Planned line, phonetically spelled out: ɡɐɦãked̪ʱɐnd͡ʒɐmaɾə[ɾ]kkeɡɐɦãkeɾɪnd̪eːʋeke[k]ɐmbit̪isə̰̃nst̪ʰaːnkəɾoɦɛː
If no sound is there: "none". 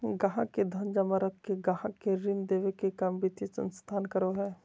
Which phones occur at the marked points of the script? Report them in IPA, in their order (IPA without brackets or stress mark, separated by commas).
none, k